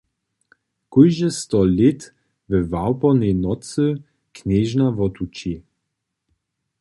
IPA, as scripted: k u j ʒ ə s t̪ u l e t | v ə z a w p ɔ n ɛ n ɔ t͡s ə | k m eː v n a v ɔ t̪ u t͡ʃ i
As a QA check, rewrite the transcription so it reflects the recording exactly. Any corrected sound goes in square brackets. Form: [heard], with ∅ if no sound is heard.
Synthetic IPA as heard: k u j ʒ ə s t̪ [ɔ] l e t | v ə [v] a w p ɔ n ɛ n ɔ t͡s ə | k [n] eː [ʒ] n a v ɔ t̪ u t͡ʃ i